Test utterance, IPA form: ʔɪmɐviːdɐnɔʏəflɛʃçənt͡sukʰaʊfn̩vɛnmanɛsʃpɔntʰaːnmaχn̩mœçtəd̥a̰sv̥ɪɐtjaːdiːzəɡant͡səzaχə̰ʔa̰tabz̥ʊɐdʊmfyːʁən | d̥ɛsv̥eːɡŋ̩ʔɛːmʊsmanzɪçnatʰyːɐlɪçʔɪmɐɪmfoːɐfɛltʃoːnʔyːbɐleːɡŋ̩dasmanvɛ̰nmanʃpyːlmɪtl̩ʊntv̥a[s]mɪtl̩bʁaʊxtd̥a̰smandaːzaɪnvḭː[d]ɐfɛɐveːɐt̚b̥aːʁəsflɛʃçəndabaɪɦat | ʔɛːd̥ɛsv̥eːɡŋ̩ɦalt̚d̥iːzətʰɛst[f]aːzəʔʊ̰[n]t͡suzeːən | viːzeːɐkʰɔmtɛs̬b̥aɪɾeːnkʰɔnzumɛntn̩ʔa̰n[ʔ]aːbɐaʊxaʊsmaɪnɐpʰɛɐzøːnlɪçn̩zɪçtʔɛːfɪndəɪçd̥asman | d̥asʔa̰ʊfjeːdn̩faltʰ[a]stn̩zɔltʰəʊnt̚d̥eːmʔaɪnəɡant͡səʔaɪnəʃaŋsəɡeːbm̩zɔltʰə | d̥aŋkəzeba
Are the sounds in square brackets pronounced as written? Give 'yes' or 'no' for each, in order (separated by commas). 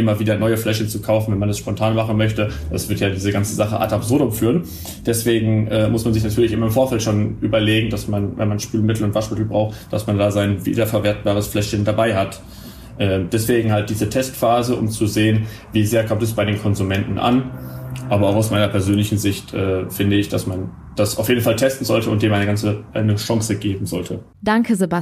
no, yes, yes, no, yes, no